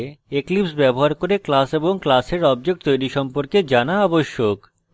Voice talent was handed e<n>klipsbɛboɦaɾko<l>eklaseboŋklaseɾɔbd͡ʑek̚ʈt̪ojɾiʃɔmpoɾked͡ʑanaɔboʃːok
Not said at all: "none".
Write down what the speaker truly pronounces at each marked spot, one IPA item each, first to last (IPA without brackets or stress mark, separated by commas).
none, ɾ